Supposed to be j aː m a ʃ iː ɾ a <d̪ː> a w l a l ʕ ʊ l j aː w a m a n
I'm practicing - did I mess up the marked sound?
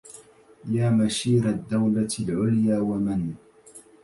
no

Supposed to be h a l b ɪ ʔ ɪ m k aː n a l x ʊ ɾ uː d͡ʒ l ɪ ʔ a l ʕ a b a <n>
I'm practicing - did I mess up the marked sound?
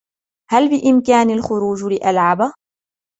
yes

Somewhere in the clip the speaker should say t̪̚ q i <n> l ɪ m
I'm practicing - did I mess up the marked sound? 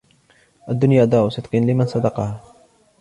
no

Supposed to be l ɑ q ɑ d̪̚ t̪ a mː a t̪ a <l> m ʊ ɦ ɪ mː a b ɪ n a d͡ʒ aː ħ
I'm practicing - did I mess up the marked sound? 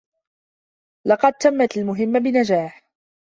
no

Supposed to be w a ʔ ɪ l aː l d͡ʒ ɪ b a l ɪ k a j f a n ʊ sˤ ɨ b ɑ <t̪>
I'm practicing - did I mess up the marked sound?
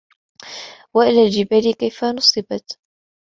no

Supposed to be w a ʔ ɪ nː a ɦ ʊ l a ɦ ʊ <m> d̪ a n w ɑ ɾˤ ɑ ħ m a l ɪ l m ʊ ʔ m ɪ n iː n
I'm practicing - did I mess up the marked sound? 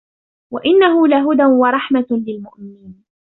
yes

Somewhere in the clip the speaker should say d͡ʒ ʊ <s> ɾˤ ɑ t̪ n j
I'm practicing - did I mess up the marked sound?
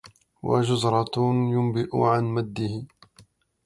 yes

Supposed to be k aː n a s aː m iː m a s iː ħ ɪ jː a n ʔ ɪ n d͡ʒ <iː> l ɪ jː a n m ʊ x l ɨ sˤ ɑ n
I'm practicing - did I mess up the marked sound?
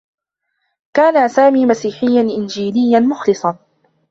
no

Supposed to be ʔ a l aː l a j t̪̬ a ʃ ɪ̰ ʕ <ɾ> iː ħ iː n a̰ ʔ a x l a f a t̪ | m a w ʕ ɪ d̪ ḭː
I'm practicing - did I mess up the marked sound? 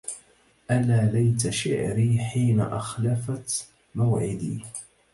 no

